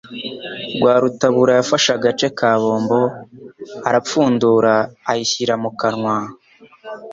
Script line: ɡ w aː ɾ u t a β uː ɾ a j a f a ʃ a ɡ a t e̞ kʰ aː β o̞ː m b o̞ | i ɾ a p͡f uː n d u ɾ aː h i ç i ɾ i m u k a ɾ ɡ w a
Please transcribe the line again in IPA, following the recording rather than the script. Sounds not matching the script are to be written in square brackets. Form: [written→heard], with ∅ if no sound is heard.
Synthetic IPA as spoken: ɡ w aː ɾ u t a β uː ɾ a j a f a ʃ a ɡ a [t→t͡ʃ] e̞ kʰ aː β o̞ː m b o̞ | [i→a] ɾ a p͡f uː n d u ɾ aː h i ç i ɾ [i→a] m u k a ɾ [ɡ→ŋ] w a